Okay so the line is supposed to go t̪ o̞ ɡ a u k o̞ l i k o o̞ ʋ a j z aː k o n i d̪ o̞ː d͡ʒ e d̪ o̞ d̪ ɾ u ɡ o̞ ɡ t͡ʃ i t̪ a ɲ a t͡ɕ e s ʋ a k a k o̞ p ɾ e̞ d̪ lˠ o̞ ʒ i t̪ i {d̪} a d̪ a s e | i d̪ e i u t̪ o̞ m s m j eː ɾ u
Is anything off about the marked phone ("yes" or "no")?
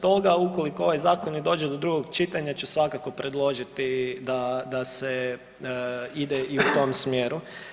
no